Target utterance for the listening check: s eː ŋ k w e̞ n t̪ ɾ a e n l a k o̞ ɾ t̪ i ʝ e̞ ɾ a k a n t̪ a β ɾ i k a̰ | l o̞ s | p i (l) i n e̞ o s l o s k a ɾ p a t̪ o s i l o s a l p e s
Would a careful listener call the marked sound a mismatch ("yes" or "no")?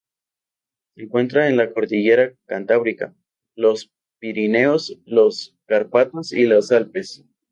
yes